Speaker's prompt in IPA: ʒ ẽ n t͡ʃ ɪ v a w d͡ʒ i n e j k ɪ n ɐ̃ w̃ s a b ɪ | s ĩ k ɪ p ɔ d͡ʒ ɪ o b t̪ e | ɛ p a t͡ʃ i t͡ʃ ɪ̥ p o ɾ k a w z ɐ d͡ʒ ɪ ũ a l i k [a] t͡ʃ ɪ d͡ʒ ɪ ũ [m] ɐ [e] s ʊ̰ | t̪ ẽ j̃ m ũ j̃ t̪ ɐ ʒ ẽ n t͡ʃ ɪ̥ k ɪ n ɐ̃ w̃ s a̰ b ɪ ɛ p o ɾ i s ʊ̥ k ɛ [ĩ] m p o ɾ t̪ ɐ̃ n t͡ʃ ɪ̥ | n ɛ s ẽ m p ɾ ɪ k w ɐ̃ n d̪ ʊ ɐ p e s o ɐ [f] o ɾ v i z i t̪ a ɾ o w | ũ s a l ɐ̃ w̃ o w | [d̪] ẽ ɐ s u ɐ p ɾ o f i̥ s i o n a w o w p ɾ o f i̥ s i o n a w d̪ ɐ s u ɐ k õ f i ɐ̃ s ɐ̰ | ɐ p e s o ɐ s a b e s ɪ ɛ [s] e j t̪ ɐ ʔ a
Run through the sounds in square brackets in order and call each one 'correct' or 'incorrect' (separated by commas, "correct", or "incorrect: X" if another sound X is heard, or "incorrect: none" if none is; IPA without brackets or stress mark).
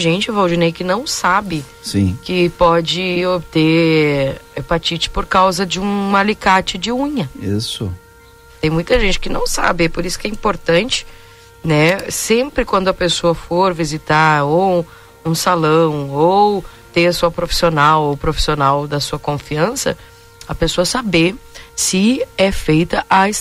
correct, incorrect: ɲ, incorrect: i, correct, correct, incorrect: t̪, incorrect: f